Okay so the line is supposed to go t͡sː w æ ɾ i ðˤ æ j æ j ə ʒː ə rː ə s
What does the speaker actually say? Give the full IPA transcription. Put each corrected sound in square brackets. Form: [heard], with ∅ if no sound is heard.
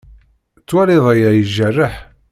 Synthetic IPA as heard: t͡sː w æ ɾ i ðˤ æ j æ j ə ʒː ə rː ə [ħ]